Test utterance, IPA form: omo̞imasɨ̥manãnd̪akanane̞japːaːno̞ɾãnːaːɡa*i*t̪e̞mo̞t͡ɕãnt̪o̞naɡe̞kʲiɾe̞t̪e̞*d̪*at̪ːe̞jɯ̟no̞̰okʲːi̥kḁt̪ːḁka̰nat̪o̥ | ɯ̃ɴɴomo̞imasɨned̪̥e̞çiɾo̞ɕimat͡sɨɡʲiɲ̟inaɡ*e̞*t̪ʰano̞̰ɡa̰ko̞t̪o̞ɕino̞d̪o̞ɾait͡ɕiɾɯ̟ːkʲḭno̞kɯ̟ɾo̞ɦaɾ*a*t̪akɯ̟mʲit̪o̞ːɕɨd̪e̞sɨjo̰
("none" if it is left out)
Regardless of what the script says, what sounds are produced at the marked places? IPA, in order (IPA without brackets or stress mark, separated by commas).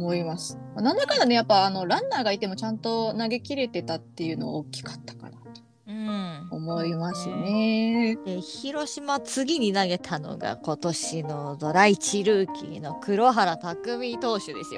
i, t̪, e̞, a